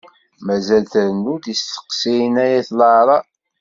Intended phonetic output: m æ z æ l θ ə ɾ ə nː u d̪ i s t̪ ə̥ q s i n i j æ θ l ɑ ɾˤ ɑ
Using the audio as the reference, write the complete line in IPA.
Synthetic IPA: m æ z æ l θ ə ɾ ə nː u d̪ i s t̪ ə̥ q s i n æ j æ θ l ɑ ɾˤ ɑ